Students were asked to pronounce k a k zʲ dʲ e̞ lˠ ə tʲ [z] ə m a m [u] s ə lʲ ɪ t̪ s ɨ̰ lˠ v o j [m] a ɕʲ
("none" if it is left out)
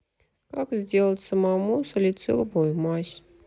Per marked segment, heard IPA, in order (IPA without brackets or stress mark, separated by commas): s, u, m